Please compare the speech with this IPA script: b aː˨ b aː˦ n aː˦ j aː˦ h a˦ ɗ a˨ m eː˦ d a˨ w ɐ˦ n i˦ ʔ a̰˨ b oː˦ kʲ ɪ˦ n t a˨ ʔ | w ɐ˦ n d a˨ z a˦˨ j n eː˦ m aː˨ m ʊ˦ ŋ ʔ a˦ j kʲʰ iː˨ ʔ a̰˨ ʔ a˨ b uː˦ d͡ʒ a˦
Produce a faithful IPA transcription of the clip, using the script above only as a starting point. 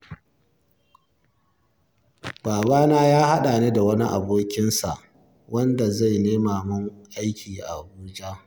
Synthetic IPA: b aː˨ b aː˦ n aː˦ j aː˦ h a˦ ɗ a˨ n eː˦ d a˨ w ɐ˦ n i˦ ʔ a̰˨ b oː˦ kʲ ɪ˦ n s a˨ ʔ | w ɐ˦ n d a˨ z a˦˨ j n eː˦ m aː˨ m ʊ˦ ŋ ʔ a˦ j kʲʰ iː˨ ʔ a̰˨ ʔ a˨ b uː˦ d͡ʒ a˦